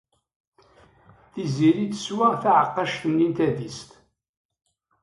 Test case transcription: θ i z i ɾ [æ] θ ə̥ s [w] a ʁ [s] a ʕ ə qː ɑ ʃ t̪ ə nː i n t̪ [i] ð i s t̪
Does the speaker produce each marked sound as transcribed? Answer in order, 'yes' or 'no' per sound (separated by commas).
no, yes, no, no